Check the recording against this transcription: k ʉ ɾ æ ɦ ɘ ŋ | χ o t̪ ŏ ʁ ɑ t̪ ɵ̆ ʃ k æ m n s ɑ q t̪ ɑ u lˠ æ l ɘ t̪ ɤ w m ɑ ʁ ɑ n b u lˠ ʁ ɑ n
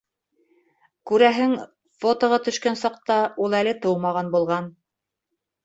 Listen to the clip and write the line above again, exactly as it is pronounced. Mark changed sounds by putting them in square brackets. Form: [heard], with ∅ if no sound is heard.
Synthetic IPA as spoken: k ʉ ɾ æ ɦ ɘ ŋ | [f] o t̪ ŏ ʁ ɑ t̪ ɵ̆ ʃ k æ [∅] n s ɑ q t̪ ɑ u lˠ æ l ɘ t̪ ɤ w m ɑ ʁ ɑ n b u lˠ ʁ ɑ n